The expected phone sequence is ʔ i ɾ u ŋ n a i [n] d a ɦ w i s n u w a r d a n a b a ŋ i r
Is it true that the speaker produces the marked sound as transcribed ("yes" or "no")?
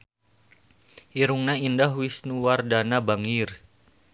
yes